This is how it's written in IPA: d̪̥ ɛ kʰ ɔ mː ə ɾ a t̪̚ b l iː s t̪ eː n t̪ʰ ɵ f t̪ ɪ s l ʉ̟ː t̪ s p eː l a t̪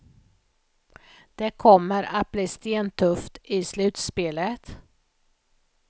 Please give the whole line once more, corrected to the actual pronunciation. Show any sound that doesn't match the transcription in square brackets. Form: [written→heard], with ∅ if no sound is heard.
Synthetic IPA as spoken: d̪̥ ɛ kʰ ɔ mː ə ɾ a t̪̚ b l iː s t̪ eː n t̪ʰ ɵ f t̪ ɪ s l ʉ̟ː t̪ s p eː l [a→ə] t̪